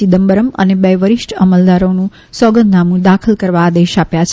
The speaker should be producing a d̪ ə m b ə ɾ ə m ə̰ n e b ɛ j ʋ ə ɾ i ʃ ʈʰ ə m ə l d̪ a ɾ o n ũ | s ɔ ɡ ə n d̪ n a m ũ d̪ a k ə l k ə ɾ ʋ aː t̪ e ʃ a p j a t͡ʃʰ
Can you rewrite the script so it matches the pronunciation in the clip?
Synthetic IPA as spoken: i d̪ ə m b ə ɾ ə m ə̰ n e b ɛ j ʋ ə ɾ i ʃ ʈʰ ə m ə l d̪ a ɾ o n ũ | s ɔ ɡ ə n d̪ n a m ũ d̪ a kʰ ə l k ə ɾ ʋ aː d̪ e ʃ a p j a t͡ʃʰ